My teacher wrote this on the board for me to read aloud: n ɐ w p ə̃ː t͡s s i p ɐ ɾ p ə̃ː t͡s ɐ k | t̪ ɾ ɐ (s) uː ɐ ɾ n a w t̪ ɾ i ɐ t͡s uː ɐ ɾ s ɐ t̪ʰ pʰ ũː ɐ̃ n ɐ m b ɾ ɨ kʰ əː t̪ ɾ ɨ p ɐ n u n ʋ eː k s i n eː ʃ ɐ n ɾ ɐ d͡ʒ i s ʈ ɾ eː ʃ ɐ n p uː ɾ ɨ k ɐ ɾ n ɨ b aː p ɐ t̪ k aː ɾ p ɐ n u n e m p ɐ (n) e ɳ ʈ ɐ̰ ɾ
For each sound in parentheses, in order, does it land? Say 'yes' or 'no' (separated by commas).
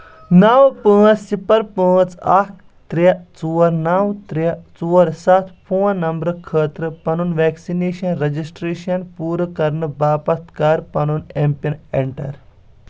no, yes